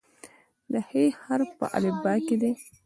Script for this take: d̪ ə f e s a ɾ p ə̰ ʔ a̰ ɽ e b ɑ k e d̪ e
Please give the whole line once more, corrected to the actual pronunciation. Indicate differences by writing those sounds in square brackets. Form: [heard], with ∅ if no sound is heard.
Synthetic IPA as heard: d̪ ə [h] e [h] a ɾ p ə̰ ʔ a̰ [l] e b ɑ k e d̪ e

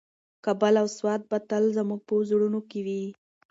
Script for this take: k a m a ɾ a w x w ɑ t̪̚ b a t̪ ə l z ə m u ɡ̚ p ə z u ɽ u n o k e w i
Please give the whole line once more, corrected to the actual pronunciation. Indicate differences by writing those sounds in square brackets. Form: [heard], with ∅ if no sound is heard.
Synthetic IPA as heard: k a [b] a [l] a w [s] w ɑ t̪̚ b a t̪ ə l z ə m u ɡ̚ p ə z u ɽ u n o k e w i

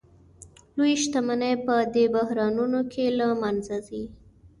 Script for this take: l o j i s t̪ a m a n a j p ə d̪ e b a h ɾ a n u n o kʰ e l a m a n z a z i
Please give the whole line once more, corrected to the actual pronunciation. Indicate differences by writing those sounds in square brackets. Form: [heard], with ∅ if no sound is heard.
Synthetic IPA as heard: l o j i [ʃ] t̪ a m a n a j p ə d̪ e b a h ɾ [ɑ] n u n o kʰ e l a m a n z a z i

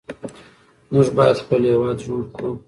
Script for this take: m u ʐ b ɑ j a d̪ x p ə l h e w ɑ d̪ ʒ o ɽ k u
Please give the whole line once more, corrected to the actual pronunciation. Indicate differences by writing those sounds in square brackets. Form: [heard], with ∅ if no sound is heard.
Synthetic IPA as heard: m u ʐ b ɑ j a d̪ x p ə l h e w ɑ d̪ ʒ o ɽ k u

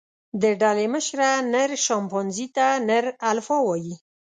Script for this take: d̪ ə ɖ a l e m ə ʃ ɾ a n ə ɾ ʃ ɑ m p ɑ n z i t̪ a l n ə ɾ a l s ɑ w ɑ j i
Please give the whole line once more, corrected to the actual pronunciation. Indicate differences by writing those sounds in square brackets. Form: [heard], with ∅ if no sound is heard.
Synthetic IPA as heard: d̪ ə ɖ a l e m ə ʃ ɾ a n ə ɾ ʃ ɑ m p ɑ n z i t̪ a [∅] n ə ɾ a l [f] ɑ w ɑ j i

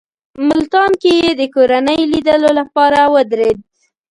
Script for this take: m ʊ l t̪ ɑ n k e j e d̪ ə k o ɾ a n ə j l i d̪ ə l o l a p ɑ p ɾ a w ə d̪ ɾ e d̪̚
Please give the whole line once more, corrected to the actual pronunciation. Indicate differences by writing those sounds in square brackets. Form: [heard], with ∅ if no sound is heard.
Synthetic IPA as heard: m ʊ l t̪ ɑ n k e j e d̪ ə k o ɾ a n ə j l i d̪ ə l o l a p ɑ [∅] ɾ a w ə d̪ ɾ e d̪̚

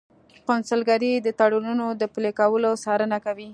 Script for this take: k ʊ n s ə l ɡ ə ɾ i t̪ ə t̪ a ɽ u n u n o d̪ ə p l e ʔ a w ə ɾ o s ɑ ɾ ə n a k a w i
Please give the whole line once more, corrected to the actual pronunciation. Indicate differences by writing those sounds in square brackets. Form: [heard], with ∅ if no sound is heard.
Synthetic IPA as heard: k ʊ n s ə l ɡ [a] ɾ i [d̪] ə t̪ a ɽ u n u n o d̪ ə p l e [k] a w ə [l] o s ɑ ɾ ə n a k a w i

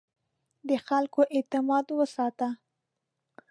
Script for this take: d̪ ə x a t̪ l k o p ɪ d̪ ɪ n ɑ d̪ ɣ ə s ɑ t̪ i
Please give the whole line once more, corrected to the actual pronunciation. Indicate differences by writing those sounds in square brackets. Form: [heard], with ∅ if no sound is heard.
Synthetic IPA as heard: d̪ ə x a [∅] l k o [ʔ] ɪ [t̪] ɪ [m] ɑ d̪ [w] ə s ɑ t̪ [a]

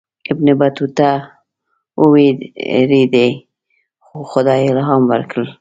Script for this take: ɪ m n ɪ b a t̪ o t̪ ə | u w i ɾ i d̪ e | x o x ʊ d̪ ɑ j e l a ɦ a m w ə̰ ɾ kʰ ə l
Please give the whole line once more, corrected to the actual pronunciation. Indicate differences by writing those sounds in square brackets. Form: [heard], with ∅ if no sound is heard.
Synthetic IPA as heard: ɪ [b] n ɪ b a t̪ [u] t̪ [a] | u w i ɾ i d̪ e | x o x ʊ d̪ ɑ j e l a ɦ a m w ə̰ ɾ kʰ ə l

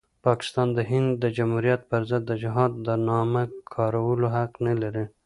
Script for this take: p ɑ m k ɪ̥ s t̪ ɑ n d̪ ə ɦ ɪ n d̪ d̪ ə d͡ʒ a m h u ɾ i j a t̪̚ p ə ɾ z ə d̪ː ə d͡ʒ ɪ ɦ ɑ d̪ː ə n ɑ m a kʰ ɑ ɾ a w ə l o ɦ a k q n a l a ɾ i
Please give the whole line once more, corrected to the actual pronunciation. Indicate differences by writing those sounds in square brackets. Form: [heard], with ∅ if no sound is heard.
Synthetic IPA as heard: p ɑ [∅] k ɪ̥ s t̪ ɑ n d̪ ə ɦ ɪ n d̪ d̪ ə d͡ʒ a m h u ɾ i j a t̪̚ p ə ɾ z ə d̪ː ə d͡ʒ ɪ ɦ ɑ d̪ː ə n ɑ m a kʰ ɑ ɾ a w ə l o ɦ a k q n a l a ɾ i

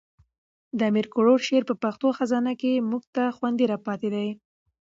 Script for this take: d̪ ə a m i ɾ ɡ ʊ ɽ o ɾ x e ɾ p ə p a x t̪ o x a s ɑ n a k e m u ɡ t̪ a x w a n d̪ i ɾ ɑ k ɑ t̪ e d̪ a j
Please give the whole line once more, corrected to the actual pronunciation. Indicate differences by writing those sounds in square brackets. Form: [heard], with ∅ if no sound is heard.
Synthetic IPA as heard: d̪ ə a m i ɾ [k] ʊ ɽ o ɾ [ʃ] e ɾ p ə p a x t̪ o x a [z] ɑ n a k e m u ɡ t̪ a x w a n d̪ i ɾ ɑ [p] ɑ t̪ e d̪ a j

